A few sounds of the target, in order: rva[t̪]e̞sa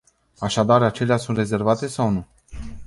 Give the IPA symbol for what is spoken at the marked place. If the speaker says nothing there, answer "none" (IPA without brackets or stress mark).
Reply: t̪